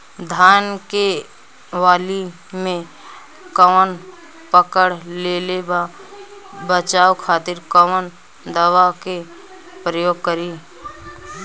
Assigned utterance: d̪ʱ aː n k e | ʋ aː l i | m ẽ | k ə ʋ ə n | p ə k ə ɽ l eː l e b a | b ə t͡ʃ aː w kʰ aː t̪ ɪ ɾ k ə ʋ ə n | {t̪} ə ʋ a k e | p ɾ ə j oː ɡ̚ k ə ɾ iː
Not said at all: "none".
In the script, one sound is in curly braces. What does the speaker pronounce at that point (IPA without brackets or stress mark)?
d̪